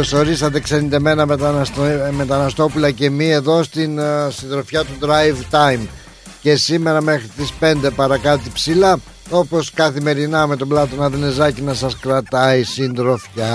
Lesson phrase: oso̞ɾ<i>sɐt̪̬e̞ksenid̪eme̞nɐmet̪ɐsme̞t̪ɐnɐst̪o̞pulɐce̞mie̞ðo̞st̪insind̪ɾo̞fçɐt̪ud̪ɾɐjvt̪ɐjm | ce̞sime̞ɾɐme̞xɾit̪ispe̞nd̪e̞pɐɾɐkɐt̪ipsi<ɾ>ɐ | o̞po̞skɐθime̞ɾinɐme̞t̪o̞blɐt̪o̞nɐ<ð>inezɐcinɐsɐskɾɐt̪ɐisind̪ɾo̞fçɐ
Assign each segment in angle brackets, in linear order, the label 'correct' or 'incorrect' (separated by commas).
correct, incorrect, correct